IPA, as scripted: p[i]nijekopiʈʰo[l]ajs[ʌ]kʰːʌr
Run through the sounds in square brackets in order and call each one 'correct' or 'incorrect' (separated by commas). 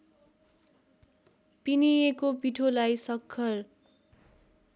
correct, correct, correct